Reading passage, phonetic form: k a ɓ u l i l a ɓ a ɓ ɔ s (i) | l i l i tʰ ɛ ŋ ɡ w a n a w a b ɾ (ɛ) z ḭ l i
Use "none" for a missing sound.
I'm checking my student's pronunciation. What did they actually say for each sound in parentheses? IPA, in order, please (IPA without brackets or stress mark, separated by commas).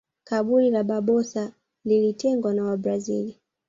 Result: a, a